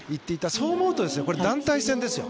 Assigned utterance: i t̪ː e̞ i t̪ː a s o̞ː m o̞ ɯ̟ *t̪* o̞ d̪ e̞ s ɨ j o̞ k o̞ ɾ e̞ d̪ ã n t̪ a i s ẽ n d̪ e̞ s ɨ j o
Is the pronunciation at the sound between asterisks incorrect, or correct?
correct